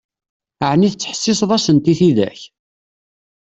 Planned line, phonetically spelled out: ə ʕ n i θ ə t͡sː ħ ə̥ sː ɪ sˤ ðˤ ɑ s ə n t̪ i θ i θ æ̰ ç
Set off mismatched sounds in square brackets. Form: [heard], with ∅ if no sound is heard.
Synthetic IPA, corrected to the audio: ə ʕ n i θ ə t͡sː ħ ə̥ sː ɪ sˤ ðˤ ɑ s ə n t̪ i θ i [ð] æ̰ ç